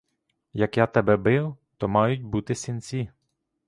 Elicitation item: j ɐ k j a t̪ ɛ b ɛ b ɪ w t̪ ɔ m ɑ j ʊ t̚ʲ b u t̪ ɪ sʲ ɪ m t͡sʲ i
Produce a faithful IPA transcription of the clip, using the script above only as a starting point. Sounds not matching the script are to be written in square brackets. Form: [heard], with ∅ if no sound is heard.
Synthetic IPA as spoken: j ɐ k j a t̪ ɛ b ɛ b ɪ w t̪ ɔ m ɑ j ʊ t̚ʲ b u t̪ ɪ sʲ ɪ [n] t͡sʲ i